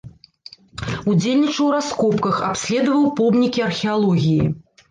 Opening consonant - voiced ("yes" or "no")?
yes